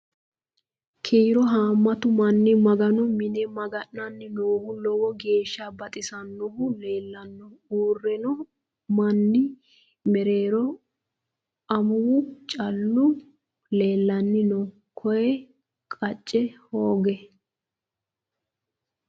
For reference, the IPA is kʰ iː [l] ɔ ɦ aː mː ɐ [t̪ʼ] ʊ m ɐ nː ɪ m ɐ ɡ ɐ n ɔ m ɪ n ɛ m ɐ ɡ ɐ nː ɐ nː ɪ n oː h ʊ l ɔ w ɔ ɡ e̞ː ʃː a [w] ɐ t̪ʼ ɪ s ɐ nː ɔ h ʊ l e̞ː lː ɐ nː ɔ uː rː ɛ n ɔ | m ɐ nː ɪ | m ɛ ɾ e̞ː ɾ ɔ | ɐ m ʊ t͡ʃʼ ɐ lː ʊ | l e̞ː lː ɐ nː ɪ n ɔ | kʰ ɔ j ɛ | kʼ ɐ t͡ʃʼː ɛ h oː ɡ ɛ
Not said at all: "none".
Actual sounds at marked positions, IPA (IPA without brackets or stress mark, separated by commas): ɾ, t̪, b